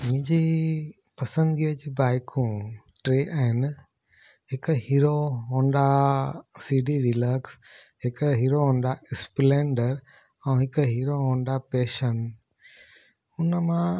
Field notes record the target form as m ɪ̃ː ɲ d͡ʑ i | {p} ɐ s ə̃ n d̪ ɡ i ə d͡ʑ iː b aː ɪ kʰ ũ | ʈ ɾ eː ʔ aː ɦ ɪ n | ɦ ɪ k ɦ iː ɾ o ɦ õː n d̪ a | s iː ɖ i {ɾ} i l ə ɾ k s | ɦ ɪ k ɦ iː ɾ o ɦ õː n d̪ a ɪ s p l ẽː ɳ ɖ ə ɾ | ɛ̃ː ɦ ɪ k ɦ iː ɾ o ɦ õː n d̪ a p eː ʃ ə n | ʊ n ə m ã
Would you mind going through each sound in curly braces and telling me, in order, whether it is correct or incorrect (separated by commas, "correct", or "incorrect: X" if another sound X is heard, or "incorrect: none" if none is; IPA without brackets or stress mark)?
correct, correct